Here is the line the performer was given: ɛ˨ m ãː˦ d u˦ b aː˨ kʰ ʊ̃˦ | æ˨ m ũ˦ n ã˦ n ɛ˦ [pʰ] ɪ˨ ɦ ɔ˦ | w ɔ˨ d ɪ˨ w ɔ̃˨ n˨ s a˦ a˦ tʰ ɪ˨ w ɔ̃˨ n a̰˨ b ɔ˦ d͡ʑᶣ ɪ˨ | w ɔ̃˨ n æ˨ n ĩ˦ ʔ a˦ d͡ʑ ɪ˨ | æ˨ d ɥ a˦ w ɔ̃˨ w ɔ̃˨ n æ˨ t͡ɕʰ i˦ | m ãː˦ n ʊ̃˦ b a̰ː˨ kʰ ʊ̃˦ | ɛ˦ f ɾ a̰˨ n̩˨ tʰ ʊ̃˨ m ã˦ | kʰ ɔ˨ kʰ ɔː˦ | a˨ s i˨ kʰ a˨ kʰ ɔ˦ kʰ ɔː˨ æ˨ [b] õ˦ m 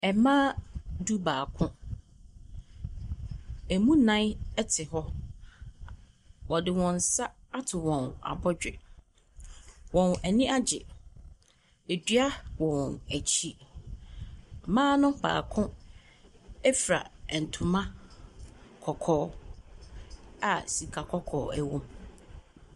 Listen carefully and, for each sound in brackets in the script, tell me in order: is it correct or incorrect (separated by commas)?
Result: incorrect, incorrect